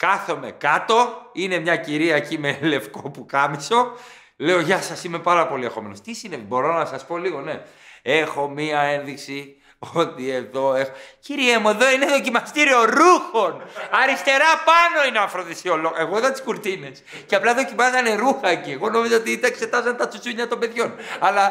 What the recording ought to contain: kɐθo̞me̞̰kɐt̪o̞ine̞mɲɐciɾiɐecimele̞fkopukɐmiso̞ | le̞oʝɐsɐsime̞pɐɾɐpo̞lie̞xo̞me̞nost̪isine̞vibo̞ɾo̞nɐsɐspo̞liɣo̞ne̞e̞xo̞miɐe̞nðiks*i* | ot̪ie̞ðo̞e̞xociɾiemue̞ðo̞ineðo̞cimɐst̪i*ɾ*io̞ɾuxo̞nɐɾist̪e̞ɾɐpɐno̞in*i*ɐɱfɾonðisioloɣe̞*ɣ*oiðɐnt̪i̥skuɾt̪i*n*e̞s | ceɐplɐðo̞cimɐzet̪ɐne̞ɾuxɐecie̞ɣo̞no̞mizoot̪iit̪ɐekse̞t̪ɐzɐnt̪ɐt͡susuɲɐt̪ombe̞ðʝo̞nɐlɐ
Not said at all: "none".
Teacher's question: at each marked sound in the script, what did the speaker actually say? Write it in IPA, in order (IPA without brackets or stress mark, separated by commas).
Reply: i, ɾ, e, ɣ, n